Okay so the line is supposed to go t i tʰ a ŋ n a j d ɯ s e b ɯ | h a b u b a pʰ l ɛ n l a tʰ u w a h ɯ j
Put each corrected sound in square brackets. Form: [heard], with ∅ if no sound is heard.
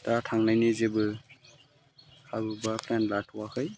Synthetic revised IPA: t [a] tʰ a ŋ n a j [n] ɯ [z] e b ɯ | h a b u b a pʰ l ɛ n l a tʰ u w a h ɯ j